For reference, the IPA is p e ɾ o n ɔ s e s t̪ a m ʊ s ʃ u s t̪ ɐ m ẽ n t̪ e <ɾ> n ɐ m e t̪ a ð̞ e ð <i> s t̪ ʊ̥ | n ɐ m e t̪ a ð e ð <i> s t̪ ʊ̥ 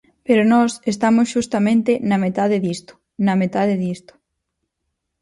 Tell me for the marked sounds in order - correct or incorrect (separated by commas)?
incorrect, correct, correct